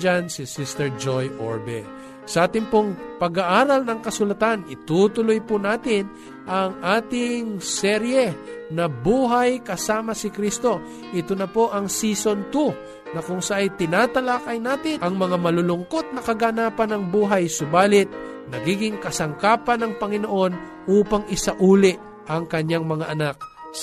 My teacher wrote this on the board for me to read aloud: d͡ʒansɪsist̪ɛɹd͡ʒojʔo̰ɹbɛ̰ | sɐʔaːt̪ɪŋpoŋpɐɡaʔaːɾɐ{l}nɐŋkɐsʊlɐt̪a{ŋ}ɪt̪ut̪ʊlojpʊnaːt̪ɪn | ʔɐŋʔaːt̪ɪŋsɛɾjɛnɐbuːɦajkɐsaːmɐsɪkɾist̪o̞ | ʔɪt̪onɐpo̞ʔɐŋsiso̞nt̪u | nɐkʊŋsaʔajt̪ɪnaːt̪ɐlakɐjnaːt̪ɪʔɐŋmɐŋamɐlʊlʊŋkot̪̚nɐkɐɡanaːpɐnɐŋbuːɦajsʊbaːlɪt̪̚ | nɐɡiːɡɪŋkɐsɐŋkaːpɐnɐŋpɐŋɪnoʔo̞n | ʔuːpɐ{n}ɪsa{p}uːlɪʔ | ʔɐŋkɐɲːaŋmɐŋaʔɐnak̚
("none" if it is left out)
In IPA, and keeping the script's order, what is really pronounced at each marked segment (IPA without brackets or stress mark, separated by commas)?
l, n, ŋ, ʔ